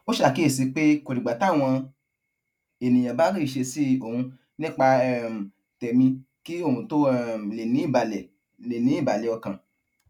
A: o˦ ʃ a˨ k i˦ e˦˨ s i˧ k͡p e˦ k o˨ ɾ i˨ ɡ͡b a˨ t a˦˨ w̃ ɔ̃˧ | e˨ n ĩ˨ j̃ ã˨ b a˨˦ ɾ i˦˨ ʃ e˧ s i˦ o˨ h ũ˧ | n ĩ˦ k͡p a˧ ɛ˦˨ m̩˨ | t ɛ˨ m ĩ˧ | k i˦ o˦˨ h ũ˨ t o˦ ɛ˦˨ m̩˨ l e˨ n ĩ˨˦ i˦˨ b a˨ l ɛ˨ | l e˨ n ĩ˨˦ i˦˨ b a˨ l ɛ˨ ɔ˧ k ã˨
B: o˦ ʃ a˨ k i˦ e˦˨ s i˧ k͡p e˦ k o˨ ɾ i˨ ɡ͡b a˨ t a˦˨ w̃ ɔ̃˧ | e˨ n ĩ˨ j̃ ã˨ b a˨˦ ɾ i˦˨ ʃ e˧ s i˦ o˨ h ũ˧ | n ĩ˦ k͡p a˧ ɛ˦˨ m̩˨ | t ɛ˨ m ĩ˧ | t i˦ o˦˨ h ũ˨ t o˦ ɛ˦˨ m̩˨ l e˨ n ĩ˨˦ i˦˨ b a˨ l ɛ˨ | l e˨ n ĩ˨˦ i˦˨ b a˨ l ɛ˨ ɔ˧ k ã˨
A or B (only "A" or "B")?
A